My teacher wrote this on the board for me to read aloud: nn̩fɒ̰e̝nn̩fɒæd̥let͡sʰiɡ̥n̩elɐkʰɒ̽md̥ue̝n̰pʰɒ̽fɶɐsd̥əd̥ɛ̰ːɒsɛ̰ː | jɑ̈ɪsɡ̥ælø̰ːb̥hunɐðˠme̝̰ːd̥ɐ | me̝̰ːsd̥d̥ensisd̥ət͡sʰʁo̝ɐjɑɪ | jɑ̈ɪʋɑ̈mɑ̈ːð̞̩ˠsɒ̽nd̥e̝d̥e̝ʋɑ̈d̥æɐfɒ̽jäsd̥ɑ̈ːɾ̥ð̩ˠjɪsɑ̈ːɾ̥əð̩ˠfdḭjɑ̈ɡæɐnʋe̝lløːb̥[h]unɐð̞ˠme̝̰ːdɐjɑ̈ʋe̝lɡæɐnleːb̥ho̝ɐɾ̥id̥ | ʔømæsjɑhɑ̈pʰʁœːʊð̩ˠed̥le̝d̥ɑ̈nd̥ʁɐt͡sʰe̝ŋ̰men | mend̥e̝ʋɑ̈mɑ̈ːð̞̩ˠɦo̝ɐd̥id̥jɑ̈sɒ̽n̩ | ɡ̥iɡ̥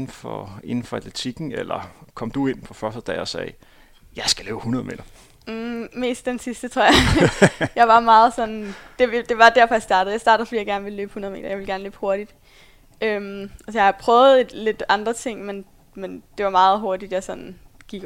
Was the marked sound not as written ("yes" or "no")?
no